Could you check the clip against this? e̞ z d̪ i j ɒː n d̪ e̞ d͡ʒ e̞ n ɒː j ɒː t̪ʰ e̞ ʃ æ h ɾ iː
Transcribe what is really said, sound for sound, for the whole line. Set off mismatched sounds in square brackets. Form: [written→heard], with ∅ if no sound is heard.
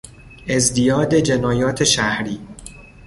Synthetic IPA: e̞ z d̪ i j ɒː [n→∅] d̪ e̞ d͡ʒ e̞ n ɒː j ɒː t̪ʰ e̞ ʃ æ h ɾ iː